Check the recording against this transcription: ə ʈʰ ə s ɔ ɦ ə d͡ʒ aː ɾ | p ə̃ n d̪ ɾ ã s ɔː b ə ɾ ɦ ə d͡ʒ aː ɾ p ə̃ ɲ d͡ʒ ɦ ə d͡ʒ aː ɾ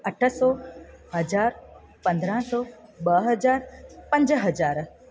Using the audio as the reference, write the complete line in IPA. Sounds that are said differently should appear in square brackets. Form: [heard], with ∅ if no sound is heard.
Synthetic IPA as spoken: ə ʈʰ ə s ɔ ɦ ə d͡ʒ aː ɾ | p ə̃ n d̪ ɾ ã s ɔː b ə [∅] ɦ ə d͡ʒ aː ɾ p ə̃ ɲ d͡ʒ ɦ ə d͡ʒ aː ɾ